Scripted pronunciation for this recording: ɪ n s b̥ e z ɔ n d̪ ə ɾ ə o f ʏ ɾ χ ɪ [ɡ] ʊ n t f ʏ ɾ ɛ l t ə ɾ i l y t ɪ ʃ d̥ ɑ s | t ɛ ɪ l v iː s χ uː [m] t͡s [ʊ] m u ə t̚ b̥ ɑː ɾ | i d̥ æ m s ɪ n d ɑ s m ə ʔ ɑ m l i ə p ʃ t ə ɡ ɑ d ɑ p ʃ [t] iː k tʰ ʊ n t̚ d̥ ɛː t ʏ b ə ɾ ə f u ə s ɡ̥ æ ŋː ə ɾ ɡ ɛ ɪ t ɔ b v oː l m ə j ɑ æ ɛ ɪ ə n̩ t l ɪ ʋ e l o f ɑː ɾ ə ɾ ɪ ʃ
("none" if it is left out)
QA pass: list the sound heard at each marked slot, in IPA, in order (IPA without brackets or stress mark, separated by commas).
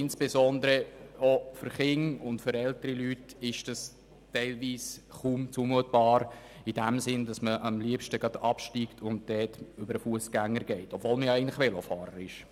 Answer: ŋ, m, u, t